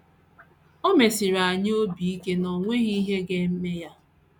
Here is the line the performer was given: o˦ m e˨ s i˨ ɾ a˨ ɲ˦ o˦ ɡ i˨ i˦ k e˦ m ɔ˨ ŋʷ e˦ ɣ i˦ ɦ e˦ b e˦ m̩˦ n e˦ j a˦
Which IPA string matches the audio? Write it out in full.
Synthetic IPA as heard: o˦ m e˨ s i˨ ɾ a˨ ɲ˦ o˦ b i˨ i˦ k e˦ n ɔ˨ ŋʷ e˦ ɣ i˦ ɦ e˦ ɡ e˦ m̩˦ m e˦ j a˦